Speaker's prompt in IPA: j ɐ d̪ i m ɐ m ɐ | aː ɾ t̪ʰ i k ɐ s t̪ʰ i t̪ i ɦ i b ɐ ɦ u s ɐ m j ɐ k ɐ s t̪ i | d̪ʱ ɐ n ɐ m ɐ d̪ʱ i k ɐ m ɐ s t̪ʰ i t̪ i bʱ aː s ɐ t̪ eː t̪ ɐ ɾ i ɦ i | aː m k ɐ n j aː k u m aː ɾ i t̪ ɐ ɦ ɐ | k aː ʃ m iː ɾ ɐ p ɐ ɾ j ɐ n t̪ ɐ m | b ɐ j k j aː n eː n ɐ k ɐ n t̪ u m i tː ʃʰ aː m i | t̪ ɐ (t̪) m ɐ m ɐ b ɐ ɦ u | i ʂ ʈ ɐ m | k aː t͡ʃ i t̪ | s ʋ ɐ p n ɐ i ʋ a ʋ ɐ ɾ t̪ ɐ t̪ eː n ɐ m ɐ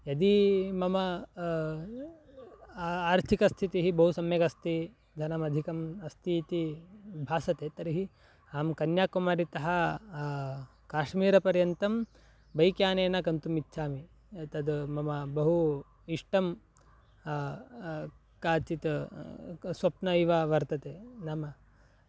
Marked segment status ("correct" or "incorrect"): incorrect